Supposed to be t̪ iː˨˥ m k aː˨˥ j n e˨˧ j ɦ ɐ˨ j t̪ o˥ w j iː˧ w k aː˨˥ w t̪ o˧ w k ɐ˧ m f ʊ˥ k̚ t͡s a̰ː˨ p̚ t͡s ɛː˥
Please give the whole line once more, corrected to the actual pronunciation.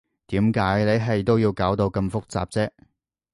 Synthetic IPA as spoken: t̪ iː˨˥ m k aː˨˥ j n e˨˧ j ɦ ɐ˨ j t̪ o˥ w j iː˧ w k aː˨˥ w t̪ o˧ w k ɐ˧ m f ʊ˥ k̚ t͡s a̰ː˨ p̚ t͡s ɛː˥